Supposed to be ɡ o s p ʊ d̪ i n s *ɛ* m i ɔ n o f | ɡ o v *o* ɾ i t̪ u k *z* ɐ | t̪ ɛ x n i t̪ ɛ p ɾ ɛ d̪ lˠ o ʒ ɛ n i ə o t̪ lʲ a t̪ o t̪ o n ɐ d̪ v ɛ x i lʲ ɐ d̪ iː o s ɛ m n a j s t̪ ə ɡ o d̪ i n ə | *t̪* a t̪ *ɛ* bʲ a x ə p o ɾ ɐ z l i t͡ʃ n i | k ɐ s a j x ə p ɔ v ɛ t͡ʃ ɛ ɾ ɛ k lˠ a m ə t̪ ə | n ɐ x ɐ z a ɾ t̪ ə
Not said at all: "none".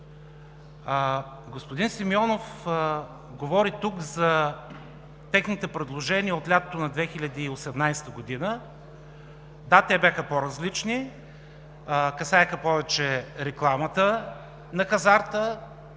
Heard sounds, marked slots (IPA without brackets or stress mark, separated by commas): i, ɔ, z, d̪, ɛ